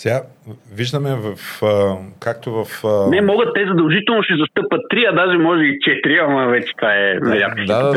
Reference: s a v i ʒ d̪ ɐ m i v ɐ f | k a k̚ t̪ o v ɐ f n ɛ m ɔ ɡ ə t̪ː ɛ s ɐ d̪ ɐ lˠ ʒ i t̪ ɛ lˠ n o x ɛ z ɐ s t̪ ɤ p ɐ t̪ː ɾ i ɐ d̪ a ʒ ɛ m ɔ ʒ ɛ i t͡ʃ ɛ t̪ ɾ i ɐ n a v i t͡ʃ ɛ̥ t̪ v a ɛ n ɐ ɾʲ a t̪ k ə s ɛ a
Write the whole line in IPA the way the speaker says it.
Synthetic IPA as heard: s a v i ʒ d̪ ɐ m ɛ v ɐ f | k a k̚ t̪ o v ɐ f n ɛ m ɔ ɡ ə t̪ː ɛ z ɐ d̪ ɐ lˠ ʒ i t̪ ɛ lˠ n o ʃ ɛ z ɐ s t̪ ɤ p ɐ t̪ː ɾ i ɐ d̪ a ʒ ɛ m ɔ ʒ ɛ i t͡ʃ ɛ t̪ ɾ i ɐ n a v ɛ t͡ʃ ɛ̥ t̪ v a ɛ n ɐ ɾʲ a t̪ k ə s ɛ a